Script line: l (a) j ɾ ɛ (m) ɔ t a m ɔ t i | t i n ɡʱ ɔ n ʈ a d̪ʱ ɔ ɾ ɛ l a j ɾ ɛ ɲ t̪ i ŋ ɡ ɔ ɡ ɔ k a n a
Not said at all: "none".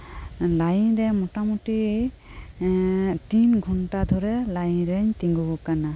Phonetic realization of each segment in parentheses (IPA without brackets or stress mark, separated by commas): a, m